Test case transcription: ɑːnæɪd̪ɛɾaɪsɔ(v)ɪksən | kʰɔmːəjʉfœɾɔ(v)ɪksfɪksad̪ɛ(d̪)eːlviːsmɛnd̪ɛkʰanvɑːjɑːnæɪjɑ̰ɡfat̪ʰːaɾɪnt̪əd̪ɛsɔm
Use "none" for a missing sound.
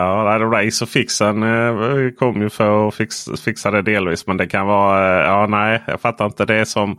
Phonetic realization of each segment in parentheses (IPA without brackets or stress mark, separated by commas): f, f, d̪